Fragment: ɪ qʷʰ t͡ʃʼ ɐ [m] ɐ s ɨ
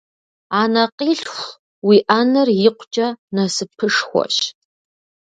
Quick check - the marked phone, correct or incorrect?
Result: incorrect: n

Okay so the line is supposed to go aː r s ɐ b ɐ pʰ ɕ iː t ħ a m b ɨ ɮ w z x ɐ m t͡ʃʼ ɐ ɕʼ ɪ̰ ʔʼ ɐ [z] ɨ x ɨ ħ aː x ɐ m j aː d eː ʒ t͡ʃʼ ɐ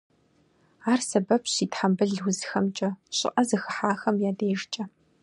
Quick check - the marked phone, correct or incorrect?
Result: correct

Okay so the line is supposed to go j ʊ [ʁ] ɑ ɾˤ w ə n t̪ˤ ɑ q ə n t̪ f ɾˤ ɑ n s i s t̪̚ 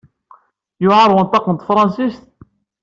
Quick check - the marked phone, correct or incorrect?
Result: incorrect: ʕ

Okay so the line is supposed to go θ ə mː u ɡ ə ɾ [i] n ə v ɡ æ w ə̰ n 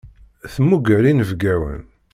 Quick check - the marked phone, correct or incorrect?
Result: correct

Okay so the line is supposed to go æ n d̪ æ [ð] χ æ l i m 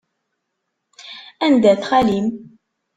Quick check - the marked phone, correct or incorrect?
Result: incorrect: θ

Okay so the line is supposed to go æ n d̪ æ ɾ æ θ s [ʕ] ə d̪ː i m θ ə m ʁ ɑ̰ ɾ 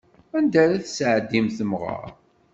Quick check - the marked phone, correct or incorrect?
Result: correct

